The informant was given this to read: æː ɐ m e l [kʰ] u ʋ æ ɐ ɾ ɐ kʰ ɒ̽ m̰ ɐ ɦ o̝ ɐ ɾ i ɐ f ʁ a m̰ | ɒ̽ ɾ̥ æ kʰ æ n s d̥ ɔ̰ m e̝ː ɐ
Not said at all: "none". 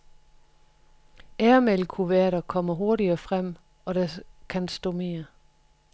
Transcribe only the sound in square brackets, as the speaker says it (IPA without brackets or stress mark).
kʰ